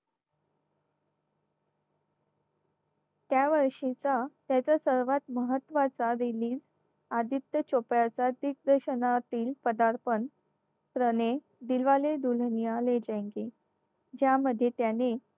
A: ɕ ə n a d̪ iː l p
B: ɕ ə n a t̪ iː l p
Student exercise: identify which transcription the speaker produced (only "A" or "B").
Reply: B